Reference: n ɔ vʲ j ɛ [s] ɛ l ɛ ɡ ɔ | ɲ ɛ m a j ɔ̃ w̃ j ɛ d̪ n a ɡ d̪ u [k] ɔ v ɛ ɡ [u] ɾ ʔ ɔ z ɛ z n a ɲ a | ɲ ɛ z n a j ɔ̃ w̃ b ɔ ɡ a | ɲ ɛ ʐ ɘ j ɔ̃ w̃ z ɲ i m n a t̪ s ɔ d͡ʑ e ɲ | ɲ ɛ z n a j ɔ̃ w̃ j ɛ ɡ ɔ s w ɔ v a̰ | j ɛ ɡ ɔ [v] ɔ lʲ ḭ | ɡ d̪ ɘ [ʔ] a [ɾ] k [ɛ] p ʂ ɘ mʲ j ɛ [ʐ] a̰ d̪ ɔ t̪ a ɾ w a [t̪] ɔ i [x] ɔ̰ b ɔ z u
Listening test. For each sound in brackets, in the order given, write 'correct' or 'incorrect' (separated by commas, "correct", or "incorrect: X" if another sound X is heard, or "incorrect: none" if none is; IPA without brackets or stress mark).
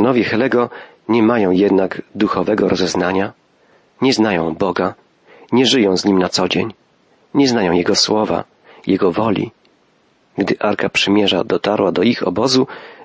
incorrect: x, incorrect: x, incorrect: ɔ, correct, correct, correct, incorrect: a, correct, incorrect: d̪, correct